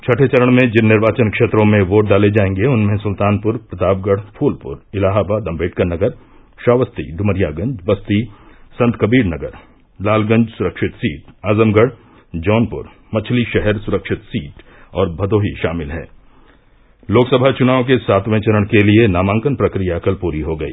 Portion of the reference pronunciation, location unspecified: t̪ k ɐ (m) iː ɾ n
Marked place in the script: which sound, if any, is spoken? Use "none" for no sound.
b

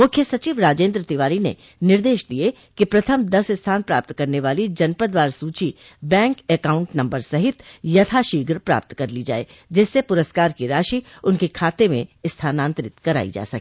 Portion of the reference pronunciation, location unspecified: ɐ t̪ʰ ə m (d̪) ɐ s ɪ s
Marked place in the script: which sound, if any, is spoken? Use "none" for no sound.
d̪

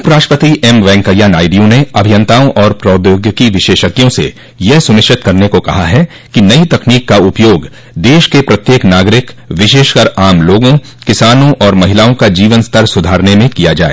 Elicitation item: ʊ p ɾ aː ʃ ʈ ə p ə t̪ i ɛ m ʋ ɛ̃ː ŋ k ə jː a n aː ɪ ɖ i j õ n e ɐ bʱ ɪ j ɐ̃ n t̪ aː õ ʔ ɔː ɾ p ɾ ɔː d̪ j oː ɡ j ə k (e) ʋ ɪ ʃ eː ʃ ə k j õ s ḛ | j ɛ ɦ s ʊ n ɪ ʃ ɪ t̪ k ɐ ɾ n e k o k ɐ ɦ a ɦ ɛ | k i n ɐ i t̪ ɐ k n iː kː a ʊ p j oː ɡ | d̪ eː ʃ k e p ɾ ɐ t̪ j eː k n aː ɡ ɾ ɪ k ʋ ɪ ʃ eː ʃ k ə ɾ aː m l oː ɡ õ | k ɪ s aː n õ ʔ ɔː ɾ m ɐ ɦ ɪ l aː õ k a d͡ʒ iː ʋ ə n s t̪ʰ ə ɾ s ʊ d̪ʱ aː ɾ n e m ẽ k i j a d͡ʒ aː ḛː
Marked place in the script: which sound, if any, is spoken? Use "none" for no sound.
i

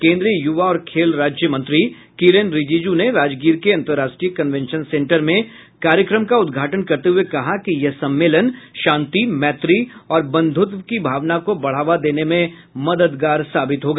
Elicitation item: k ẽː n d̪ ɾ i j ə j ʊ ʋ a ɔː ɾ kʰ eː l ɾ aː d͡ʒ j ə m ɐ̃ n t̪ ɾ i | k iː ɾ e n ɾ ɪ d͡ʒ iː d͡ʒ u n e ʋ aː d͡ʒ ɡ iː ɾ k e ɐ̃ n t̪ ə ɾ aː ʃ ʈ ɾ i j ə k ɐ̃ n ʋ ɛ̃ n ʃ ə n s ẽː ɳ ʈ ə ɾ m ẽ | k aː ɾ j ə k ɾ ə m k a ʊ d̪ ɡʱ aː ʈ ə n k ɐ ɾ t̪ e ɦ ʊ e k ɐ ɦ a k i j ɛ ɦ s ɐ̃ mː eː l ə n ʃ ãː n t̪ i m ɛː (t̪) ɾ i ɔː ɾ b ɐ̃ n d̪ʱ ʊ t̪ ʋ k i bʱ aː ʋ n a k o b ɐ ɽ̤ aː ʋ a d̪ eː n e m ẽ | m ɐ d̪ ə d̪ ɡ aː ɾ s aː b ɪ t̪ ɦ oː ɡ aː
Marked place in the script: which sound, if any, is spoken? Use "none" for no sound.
t̪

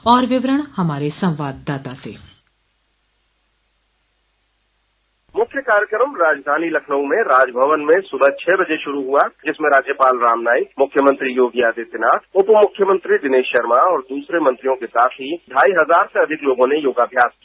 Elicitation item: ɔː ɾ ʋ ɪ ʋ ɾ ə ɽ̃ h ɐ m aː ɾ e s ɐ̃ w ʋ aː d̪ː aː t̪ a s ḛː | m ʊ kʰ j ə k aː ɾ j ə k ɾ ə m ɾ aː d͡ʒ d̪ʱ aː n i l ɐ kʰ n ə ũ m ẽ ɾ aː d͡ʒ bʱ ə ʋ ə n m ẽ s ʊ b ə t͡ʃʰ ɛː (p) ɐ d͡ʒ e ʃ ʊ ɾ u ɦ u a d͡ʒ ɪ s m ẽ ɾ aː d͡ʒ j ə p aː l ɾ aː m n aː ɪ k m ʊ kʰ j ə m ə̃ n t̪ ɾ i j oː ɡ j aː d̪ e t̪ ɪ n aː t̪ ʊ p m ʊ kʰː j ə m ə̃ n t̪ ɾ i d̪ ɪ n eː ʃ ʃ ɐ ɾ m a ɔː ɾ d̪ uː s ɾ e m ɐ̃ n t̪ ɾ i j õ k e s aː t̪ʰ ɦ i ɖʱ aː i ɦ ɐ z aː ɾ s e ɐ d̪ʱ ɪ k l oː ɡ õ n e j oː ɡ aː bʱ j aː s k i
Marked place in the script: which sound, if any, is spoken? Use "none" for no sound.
b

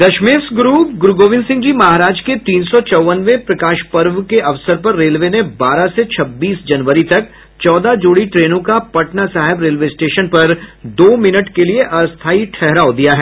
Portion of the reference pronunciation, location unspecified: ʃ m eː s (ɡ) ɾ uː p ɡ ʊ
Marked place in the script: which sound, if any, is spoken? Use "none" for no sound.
ɡ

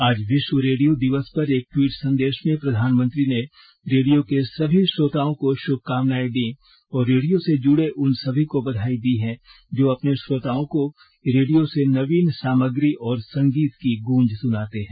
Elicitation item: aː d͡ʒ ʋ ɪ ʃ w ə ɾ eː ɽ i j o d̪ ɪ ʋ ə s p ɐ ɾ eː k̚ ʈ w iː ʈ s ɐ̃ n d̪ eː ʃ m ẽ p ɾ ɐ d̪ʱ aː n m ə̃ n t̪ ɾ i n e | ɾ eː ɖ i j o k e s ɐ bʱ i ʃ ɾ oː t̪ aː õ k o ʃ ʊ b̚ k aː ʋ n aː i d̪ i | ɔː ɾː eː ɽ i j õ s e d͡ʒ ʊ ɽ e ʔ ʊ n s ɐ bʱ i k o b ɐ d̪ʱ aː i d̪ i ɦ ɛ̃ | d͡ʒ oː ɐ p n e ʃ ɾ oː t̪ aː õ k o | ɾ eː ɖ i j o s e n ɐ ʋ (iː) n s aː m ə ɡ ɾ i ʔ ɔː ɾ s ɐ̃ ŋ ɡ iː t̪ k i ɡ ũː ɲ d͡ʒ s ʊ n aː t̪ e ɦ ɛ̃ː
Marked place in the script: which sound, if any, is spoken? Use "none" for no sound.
iː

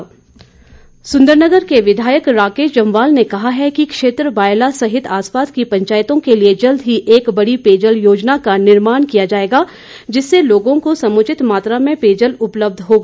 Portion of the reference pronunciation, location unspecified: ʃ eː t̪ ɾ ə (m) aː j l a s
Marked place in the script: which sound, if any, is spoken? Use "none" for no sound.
b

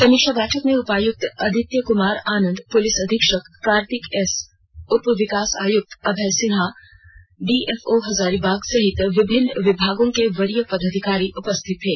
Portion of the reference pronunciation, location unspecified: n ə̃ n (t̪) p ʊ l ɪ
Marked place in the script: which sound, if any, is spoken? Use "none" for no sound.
d̪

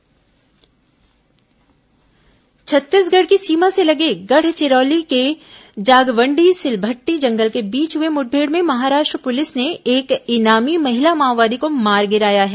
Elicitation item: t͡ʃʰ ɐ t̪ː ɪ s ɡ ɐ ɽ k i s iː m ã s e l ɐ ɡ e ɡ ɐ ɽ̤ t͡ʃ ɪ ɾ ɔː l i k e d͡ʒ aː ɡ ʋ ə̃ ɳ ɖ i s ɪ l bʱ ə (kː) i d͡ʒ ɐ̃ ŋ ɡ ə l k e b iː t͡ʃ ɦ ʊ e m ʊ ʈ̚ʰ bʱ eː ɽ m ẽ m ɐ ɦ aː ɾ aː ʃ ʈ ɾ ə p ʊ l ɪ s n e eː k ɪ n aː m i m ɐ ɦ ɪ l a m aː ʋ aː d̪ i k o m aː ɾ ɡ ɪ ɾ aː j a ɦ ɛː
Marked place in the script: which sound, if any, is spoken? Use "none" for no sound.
ʈː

